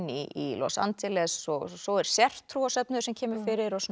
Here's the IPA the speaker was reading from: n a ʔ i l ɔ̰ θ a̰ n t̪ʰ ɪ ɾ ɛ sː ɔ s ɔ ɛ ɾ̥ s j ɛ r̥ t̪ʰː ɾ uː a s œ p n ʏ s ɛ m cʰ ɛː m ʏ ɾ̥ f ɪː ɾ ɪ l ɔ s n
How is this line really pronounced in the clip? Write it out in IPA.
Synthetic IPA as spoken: n i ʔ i l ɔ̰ s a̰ n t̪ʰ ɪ l ɛ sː ɔ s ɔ ɛ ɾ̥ s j ɛ r̥ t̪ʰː ɾ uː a s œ p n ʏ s ɛ m cʰ ɛː m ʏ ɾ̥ f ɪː ɾ ɪ ɾ ɔ s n